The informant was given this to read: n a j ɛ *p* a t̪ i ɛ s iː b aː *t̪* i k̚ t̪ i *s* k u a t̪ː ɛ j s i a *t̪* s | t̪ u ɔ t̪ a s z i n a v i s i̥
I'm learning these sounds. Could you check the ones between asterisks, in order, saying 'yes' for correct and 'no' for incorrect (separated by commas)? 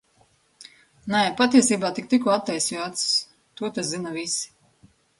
yes, yes, no, yes